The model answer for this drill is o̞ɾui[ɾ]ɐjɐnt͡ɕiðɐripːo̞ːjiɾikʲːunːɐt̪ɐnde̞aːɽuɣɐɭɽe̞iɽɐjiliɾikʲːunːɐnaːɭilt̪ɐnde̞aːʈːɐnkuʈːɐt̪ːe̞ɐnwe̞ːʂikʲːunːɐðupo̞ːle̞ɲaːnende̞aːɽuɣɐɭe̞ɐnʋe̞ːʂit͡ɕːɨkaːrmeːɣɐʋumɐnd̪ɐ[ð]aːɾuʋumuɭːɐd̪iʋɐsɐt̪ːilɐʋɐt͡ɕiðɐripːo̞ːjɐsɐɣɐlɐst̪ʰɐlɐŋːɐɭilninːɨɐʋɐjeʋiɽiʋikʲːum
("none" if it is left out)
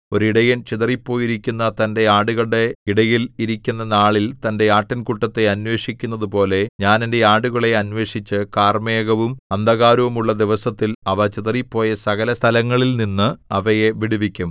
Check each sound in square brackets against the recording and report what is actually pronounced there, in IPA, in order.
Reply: ɽ, ɣ

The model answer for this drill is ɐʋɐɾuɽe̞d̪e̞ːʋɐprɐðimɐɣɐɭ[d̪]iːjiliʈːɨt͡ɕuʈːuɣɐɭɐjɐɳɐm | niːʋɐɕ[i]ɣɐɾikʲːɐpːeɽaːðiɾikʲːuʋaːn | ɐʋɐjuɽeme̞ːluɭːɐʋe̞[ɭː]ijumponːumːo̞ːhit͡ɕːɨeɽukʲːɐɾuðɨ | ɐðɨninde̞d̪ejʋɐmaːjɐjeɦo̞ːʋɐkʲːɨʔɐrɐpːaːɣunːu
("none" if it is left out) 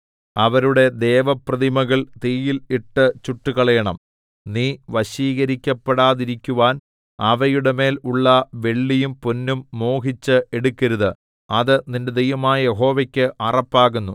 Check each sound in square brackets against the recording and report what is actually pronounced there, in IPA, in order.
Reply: t̪, iː, ɭː

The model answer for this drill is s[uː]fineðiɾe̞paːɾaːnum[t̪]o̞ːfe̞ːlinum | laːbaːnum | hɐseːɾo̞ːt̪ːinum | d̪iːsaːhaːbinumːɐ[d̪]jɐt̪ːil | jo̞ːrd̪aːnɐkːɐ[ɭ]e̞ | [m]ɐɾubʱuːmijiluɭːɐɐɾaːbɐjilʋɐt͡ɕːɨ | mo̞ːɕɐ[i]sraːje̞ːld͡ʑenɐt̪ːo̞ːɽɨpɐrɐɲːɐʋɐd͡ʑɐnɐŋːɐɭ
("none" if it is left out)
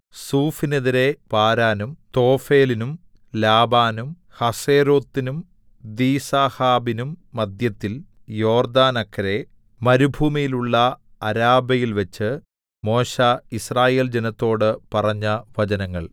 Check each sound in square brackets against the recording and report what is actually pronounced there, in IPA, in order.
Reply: uː, t̪, d̪, ɾ, m, i

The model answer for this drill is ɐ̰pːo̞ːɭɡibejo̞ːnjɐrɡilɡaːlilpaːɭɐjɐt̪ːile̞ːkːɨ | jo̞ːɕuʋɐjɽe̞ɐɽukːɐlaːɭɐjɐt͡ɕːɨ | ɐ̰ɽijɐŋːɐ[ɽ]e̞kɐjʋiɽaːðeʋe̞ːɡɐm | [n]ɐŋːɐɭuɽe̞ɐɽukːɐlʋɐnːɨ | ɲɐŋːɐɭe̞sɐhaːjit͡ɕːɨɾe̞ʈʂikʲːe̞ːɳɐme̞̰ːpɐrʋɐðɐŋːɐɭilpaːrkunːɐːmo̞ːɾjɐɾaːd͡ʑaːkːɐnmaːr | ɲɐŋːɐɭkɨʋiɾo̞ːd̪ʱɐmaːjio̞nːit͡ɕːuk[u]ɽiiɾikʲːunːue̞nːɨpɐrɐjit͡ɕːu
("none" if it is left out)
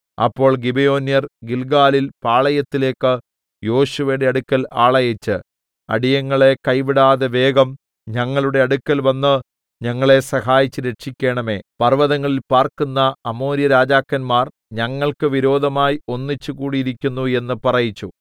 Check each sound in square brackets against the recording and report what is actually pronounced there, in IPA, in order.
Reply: ɭ, ɲ, uː

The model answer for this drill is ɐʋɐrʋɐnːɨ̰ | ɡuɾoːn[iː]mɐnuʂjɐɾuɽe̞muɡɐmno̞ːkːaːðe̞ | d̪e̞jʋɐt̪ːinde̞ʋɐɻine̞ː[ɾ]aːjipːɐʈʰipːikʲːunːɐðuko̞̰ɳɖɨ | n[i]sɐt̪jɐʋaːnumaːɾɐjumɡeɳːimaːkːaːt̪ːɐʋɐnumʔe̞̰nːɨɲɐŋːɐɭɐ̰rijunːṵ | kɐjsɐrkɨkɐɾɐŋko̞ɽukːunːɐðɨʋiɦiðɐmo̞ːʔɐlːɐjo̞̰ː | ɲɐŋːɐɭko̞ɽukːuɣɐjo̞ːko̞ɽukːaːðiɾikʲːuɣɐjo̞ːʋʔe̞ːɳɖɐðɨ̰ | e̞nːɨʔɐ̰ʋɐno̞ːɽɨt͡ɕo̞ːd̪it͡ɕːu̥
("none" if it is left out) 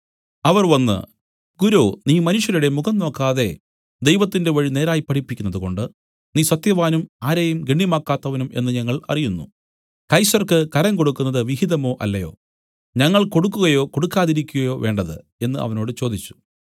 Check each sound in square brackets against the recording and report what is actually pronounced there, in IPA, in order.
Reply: iː, ɾ, iː

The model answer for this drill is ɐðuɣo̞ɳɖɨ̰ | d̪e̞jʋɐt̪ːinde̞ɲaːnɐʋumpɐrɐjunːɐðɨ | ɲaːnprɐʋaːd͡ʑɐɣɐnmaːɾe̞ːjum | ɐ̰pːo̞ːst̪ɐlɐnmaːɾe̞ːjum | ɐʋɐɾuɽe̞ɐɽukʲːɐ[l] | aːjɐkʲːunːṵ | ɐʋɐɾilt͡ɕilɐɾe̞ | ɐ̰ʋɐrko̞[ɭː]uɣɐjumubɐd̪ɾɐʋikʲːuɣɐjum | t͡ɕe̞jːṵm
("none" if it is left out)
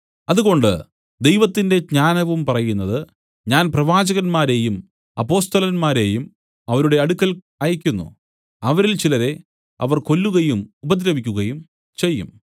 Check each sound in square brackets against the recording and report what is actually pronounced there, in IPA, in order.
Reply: l, lː

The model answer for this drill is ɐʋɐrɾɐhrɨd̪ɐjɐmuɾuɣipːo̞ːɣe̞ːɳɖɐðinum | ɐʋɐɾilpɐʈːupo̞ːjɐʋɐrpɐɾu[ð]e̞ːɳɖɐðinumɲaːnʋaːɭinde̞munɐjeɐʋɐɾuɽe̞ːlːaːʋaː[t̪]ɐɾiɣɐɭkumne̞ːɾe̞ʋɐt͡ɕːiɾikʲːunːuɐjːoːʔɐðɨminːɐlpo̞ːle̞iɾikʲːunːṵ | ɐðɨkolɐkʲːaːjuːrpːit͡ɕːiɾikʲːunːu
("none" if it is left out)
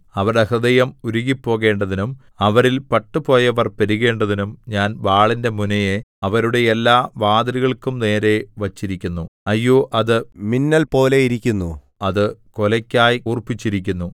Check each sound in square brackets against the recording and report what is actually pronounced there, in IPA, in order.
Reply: ɣ, d̪

